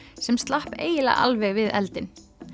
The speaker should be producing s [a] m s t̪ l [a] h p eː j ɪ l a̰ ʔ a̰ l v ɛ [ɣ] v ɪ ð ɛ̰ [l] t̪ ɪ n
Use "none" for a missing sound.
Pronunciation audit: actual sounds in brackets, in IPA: ɛ, a, ɣ, l

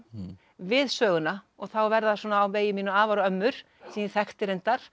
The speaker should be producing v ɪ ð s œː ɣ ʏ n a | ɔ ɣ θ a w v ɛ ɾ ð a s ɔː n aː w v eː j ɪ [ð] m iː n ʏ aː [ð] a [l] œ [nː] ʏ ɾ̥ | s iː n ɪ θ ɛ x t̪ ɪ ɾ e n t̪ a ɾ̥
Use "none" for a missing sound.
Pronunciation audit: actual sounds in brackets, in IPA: none, v, ɾ, mː

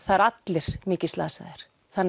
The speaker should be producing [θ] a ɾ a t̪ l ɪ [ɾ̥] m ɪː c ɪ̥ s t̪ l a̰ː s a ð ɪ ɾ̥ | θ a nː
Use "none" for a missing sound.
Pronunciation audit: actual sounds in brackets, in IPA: θ, ɾ̥

